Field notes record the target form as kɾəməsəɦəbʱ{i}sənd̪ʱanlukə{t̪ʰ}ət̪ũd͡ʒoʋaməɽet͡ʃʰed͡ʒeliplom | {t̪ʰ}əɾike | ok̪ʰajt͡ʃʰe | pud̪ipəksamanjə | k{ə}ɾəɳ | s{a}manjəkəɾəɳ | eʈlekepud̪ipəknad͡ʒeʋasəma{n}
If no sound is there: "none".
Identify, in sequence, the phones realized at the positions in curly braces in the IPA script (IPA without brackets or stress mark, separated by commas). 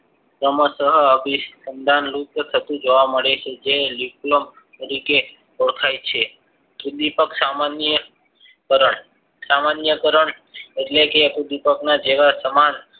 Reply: i, t̪ʰ, t̪, ə, a, n